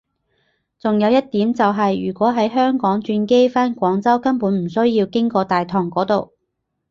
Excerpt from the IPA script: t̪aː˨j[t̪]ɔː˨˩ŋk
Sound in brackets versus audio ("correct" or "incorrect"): incorrect